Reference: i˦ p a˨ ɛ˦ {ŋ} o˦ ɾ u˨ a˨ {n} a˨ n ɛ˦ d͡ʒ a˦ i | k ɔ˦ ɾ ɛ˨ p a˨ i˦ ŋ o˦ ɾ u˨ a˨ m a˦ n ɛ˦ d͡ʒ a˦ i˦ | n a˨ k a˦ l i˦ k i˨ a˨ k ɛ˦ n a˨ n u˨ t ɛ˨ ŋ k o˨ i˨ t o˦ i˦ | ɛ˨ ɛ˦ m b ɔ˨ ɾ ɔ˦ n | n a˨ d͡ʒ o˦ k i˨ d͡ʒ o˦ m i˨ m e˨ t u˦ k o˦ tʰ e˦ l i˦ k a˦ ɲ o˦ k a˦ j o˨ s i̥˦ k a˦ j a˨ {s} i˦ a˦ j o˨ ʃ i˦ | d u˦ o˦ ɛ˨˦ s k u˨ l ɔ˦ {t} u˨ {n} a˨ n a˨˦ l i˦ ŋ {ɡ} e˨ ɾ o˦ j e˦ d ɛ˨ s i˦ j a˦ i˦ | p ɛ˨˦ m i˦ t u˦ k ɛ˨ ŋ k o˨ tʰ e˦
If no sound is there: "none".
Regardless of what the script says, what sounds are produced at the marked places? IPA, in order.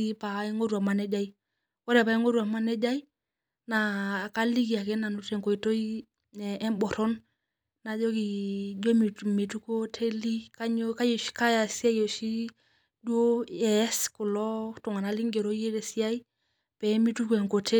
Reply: ŋ, m, s, t, ŋ, ɡ

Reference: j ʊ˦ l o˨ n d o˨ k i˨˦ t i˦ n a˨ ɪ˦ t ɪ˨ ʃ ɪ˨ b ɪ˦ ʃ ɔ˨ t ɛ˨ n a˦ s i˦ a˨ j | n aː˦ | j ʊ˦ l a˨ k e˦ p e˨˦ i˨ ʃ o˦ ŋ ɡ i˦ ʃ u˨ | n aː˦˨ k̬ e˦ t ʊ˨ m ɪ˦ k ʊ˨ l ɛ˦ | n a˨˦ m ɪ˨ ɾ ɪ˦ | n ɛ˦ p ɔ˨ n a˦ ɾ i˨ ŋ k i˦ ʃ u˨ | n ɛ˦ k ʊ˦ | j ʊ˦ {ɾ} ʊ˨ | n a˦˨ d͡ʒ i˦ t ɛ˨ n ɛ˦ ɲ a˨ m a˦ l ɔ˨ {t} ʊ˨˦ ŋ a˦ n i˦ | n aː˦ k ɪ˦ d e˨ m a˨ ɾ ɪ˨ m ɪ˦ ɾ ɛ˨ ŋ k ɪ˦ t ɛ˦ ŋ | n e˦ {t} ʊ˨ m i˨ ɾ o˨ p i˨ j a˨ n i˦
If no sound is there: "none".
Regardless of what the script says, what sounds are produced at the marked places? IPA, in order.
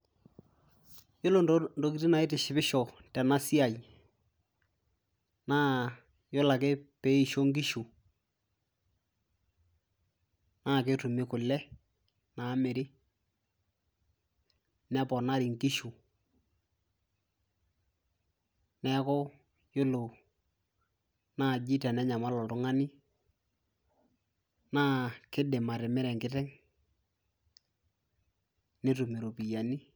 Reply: l, t, t

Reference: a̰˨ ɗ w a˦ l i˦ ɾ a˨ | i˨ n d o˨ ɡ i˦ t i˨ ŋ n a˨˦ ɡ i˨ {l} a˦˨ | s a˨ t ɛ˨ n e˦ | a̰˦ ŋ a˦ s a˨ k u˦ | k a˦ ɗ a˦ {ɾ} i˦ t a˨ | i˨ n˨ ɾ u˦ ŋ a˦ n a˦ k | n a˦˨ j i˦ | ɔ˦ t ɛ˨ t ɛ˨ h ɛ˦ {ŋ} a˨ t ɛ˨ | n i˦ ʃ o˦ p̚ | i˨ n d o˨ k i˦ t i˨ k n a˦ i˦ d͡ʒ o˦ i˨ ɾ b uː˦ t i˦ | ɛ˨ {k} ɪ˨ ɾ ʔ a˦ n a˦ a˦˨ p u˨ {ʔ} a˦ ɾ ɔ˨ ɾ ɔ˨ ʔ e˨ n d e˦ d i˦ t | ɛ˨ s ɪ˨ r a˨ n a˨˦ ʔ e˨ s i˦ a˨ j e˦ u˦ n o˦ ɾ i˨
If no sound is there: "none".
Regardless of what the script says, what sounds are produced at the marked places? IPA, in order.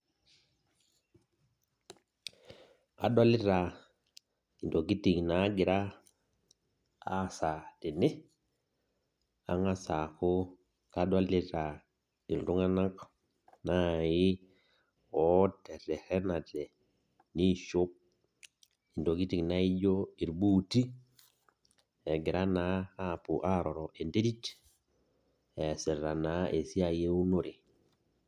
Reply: ɾ, l, n, ɡ, ʔ

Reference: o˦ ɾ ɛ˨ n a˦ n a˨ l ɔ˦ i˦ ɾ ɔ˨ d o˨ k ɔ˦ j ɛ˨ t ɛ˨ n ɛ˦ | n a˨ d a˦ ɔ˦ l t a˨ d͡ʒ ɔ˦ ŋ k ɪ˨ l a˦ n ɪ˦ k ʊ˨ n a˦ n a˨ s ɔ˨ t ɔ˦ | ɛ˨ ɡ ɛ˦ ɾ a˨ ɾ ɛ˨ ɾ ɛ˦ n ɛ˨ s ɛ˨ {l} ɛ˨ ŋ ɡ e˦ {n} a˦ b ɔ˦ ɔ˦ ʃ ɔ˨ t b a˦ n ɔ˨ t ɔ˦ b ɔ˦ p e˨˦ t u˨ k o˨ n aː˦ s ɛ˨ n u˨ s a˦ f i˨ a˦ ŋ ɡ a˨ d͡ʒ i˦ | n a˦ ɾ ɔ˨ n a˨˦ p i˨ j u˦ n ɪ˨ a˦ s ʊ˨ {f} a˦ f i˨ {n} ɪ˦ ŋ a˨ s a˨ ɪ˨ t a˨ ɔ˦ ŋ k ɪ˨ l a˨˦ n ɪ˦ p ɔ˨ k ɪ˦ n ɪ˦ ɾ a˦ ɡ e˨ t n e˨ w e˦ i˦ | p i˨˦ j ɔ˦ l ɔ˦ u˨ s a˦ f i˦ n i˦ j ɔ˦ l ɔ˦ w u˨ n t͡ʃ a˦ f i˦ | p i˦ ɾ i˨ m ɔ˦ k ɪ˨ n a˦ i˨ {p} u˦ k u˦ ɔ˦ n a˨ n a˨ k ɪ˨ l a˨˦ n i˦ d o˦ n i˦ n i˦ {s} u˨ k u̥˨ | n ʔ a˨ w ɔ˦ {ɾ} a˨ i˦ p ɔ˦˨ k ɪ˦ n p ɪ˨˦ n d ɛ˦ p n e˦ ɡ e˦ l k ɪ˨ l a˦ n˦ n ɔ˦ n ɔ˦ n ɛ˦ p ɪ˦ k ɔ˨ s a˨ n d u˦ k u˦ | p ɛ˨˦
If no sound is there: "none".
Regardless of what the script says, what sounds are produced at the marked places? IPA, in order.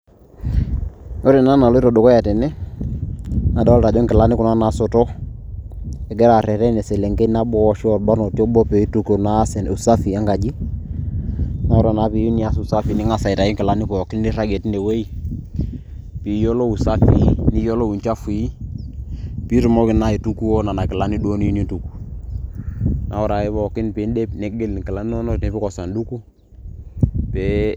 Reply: l, n, s, n, t, t, ɾ

